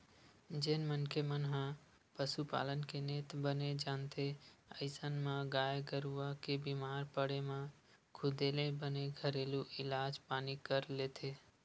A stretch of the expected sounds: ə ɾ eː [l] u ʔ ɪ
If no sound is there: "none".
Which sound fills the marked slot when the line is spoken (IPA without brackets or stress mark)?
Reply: l